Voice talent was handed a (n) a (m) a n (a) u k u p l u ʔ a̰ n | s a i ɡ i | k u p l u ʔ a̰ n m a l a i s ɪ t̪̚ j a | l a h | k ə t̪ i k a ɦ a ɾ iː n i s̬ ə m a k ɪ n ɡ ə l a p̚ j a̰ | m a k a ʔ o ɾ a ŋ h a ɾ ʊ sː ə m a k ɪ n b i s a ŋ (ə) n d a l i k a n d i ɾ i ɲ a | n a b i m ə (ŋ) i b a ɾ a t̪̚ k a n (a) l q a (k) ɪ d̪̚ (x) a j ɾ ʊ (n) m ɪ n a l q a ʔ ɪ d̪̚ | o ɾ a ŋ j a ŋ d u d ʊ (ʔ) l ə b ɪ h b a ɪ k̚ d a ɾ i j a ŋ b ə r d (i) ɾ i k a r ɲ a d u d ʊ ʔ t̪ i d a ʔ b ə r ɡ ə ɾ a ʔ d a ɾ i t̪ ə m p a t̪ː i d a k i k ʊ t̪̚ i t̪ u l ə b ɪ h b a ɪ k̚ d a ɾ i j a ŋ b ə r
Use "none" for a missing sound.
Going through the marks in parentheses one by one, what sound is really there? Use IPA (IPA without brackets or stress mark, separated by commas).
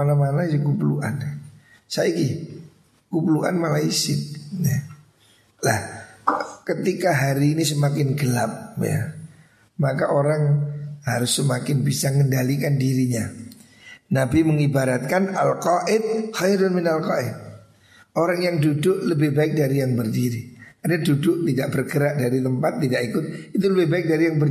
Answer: n, m, a, ə, ŋ, a, ʔ, x, n, ʔ, i